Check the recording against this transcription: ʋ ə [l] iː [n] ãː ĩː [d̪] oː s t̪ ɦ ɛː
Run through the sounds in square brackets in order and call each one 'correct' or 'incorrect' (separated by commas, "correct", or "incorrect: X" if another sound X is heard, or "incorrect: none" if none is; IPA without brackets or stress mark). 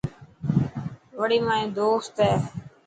incorrect: ɽ, incorrect: m, correct